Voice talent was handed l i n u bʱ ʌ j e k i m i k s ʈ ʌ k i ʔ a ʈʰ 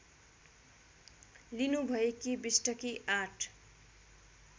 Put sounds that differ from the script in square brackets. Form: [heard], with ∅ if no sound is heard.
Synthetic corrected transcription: l i n u bʱ ʌ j e k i [b] i [∅] s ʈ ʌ k i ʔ a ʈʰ